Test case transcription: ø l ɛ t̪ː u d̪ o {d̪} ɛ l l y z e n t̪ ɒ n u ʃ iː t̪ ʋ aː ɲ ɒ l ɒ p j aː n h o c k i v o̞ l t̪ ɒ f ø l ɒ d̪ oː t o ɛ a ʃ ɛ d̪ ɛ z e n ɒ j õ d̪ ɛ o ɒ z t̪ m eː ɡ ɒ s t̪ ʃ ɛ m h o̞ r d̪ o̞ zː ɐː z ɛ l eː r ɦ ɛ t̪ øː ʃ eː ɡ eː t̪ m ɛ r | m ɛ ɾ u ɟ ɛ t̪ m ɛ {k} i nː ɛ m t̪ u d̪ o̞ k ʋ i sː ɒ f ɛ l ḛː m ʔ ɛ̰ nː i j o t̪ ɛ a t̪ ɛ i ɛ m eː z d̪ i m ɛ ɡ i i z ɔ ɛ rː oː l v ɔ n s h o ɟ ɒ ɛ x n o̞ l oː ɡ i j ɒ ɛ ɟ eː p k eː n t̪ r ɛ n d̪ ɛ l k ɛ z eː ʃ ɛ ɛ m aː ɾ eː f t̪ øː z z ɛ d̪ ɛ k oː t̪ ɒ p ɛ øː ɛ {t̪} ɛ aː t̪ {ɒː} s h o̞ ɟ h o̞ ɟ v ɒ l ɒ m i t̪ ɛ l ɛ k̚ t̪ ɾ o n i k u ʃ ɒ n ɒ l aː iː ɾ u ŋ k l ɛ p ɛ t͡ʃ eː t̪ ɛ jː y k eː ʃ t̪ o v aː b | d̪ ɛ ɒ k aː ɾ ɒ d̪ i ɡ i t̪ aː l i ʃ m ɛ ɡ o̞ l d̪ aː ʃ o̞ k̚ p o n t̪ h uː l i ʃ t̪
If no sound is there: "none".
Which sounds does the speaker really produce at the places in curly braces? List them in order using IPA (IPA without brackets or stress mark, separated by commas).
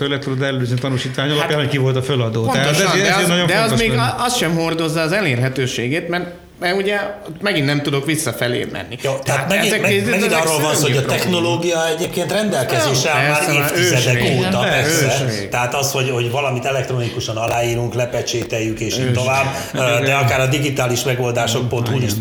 d̪, ɡ, t̪, ɒ